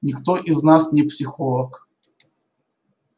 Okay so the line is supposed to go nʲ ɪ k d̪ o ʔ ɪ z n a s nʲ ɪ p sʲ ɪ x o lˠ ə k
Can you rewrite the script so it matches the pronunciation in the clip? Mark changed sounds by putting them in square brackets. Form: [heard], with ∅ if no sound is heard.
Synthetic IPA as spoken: nʲ ɪ k [t̪] o ʔ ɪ z n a s nʲ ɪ p sʲ ɪ x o lˠ ə k